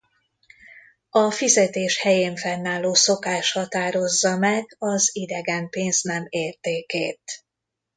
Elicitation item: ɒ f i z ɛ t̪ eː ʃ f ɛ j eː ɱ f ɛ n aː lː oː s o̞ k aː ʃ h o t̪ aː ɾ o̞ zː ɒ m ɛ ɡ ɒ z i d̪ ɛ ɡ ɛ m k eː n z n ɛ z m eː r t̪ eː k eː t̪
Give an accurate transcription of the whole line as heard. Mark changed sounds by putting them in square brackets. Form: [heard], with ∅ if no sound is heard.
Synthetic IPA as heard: ɒ f i z ɛ t̪ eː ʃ [h] ɛ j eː ɱ f ɛ [nː] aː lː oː s o̞ k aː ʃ h [ɒ] t̪ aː ɾ o̞ zː ɒ m ɛ ɡ ɒ z i d̪ ɛ ɡ ɛ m [p] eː n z n ɛ [∅] m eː r t̪ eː k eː t̪